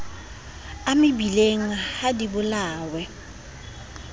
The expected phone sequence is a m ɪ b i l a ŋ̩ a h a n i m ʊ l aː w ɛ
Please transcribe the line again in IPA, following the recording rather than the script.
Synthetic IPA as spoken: a m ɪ b i l e ŋ̩ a h a d i b ʊ l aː w ɛ